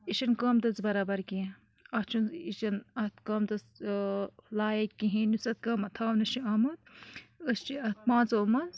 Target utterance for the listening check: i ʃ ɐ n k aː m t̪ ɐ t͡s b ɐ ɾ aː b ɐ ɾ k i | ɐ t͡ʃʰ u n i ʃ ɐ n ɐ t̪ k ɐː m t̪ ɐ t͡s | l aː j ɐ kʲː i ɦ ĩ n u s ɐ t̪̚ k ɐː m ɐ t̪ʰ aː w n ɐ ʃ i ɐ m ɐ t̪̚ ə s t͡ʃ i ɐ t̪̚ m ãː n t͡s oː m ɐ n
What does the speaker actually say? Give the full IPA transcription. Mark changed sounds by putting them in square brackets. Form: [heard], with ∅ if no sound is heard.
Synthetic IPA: i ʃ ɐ n k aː m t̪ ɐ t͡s b ɐ ɾ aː b ɐ ɾ k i | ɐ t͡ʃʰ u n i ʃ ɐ n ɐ t̪ k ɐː m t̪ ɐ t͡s | l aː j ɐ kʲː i ɦ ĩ n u s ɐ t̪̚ k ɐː m ɐ t̪ʰ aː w n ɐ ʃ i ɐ m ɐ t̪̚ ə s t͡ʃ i ɐ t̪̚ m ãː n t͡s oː m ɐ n